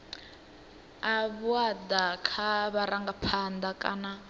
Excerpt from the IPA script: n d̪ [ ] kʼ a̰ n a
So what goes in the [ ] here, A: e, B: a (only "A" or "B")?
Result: B